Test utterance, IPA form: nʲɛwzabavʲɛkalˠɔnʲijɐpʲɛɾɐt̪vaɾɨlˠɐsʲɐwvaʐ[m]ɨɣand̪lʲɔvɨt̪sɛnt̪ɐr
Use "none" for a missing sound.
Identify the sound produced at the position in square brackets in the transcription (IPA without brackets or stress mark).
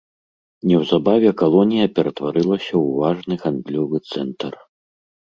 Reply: n